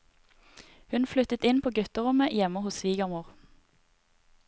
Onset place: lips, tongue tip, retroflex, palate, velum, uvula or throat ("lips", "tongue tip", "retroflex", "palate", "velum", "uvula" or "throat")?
throat